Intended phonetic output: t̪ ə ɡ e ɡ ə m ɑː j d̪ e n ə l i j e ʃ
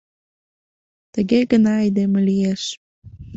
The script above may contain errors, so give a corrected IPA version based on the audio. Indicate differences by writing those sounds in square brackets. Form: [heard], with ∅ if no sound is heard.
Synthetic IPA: t̪ ə ɡ e ɡ ə [n] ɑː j d̪ e [m] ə l i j e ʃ